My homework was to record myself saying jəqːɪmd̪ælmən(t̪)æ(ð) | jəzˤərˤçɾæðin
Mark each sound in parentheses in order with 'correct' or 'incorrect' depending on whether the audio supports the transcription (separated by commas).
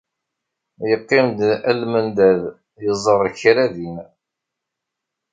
incorrect, correct